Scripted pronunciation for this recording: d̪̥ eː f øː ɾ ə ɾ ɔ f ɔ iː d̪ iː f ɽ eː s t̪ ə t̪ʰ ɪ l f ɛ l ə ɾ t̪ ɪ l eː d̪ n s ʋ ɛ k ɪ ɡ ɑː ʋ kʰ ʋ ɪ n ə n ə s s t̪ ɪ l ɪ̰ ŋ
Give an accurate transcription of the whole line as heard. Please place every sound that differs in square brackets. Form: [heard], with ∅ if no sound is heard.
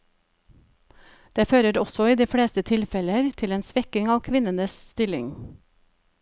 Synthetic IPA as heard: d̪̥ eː f øː ɾ ə ɾ ɔ [s] ɔ iː d̪ iː f ɽ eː s t̪ ə t̪ʰ ɪ l f ɛ l ə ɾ [t̪ʰ] ɪ l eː [∅] n s ʋ ɛ k ɪ [ŋ] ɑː ʋ kʰ ʋ ɪ n ə n ə s s t̪ ɪ l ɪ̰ ŋ